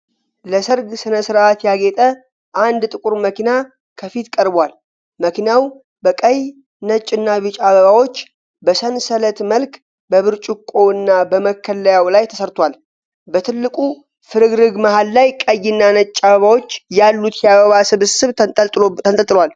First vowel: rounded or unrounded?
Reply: unrounded